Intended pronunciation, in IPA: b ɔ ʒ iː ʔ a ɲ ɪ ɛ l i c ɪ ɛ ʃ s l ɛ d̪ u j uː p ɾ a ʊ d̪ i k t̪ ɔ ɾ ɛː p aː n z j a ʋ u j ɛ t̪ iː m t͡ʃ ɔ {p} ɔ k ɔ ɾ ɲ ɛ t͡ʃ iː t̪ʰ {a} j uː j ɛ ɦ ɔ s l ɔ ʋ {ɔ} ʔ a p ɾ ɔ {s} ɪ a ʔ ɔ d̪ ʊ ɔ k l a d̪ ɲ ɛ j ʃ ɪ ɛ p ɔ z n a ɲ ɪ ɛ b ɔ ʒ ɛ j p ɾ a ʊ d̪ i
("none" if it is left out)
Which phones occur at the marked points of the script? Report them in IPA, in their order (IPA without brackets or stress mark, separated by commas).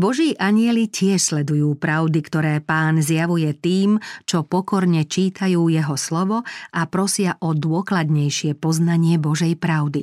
p, a, ɔ, s